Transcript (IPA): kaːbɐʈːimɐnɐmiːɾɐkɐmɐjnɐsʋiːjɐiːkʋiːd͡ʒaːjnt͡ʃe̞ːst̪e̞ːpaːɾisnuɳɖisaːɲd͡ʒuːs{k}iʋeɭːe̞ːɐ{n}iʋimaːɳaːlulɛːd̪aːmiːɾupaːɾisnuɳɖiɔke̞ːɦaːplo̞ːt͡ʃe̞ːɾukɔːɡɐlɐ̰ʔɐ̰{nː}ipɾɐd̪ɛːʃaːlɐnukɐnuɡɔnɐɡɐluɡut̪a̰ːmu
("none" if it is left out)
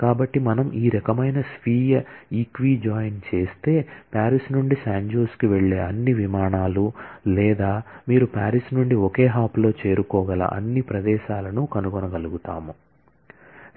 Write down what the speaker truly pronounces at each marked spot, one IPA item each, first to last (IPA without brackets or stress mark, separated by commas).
k, nː, nː